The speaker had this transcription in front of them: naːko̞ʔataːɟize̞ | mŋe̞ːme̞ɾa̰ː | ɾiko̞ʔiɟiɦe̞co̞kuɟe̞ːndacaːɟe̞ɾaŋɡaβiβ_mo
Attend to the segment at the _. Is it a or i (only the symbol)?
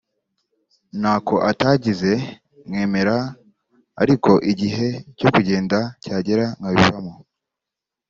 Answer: a